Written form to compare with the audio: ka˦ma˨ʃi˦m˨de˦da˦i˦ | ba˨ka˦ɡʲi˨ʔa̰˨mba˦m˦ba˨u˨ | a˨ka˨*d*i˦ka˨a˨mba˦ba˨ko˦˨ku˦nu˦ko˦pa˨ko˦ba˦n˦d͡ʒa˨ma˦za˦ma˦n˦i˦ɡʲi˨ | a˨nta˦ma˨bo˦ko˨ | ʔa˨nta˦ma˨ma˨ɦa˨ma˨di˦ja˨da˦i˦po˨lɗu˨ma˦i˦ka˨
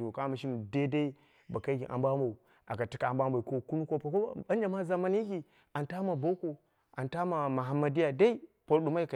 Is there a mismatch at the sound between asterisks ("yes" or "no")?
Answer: yes